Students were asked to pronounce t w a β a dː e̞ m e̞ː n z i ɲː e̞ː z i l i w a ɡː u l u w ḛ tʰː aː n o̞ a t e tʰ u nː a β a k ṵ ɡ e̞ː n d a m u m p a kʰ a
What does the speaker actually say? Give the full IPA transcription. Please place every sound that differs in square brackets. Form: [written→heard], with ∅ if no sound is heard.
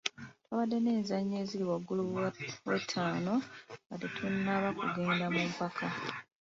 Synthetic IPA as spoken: t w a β a dː e̞ [m→n] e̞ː n z [i→a] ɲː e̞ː z i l i w a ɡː u l u w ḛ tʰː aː n o̞ a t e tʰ u nː a β a k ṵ ɡ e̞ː n d a m u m p a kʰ a

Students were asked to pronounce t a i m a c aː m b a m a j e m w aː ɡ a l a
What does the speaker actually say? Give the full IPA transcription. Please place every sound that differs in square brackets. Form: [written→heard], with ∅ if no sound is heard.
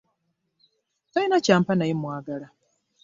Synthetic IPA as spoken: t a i [m→n] a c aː m [b→p] a [m→n] a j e m w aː ɡ a l a

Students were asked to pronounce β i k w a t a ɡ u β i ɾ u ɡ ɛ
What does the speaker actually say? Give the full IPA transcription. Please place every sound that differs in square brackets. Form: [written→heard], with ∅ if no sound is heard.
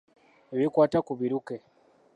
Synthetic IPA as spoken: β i k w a t a [ɡ→k] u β i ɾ u [ɡ→k] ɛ

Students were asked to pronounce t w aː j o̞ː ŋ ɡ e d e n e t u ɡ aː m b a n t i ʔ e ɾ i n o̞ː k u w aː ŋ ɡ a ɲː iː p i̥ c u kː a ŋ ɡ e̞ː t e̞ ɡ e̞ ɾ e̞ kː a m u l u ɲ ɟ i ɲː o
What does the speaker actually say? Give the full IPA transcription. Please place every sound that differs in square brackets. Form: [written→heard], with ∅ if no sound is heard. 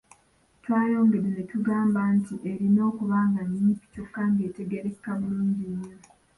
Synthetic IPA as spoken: t w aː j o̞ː ŋ ɡ e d e n e t u ɡ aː m b a n t i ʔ e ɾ i n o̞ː k u [w→β] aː ŋ ɡ a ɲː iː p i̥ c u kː a ŋ ɡ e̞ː t e̞ ɡ e̞ ɾ e̞ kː a m u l [u→uː] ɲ ɟ i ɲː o

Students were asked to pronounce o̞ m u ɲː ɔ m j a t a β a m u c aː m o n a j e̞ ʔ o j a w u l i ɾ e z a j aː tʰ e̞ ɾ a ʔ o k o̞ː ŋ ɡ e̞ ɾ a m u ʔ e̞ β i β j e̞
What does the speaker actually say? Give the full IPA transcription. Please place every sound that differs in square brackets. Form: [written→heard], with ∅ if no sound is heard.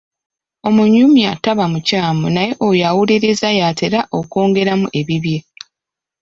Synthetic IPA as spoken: o̞ m u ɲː [ɔ→u] m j a t a β a m u c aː m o n a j e̞ ʔ o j a w u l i ɾ e z a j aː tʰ e̞ ɾ a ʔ o k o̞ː ŋ ɡ e̞ ɾ a m u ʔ e̞ β i β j e̞

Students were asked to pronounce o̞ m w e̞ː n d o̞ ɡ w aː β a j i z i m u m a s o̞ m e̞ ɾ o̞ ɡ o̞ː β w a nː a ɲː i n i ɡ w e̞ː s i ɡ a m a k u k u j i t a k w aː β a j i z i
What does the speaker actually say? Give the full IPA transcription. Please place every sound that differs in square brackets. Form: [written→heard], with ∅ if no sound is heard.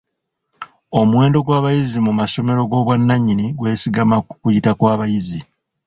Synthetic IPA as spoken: o̞ m w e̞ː n d o̞ ɡ w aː β a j i z i m u m a s o̞ m e̞ ɾ o̞ ɡ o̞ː β w a nː a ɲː i n i ɡ w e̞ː s i ɡ a m a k u k u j i t a k w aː β a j i z i

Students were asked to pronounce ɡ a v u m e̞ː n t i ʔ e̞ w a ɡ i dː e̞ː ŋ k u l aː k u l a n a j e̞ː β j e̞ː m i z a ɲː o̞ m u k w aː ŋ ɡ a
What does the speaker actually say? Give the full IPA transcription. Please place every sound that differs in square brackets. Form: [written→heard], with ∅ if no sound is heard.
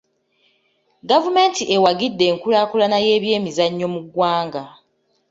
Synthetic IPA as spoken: ɡ a v u m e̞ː n t i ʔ e̞ w a ɡ i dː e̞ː ŋ k u l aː k u l a n a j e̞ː β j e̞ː m i z a ɲː o̞ m u [k→ɡ] w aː ŋ ɡ a

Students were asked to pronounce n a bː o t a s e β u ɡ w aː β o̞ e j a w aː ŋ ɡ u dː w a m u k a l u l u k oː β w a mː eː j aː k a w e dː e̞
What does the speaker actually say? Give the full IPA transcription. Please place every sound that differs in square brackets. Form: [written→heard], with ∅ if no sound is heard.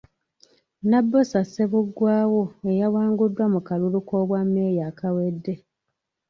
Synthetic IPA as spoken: n a bː o [t→s] a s e β u ɡ w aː [β→w] o̞ e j a w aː ŋ ɡ u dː w a m u k a l u l u k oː β w a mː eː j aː k a w e dː e̞

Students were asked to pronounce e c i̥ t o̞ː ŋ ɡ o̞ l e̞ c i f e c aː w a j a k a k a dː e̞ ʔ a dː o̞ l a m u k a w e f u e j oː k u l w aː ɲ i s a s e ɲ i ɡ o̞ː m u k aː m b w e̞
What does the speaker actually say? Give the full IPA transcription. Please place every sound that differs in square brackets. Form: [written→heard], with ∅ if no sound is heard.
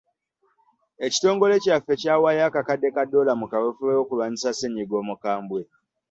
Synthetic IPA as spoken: e c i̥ t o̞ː ŋ ɡ o̞ l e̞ c [i→a] f e c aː w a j a k a k a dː e̞ [ʔ→k] a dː o̞ l a m u k a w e f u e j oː k u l w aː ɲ i s a s e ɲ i ɡ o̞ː m u k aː m b w e̞

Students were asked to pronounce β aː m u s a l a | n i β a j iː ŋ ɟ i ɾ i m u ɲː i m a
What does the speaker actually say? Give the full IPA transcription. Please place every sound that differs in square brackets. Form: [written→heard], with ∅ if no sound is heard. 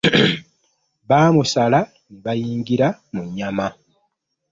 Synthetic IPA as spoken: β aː m u s a l a | n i β a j iː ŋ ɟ i ɾ [i→a] m u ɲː [i→a] m a

